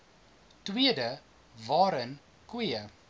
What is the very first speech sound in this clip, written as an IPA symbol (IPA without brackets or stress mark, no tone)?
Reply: t